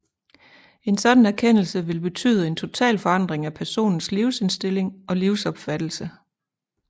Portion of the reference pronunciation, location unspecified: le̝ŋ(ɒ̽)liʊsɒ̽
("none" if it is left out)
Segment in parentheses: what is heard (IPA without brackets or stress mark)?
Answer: ɒ̽